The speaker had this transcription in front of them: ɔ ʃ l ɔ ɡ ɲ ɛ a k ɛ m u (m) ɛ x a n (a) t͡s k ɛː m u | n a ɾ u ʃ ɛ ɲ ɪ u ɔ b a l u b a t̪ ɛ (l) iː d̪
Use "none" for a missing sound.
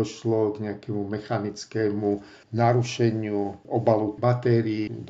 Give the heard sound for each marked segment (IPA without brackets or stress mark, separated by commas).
m, i, ɾ